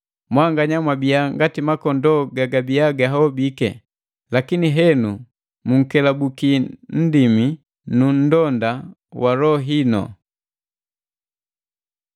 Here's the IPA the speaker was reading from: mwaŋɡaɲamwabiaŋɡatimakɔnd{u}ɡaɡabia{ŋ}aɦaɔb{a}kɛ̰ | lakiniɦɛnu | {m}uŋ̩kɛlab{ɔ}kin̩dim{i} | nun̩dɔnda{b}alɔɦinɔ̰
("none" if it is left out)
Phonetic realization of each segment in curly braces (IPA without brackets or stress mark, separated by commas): ɔ, ɡ, i, m, u, i, w